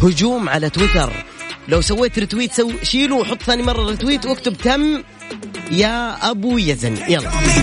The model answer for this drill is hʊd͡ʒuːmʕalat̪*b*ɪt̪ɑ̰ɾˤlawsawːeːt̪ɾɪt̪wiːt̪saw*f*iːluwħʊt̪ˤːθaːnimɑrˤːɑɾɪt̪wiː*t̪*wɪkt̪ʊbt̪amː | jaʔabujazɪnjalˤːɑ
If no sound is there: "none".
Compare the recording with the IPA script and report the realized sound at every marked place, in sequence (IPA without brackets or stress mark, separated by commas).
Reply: w, ʃ, t̪